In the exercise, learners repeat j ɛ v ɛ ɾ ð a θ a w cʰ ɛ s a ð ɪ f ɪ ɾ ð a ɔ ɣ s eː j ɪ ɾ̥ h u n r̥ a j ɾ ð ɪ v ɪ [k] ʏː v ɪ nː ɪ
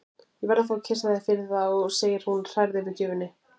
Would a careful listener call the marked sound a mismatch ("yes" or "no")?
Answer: yes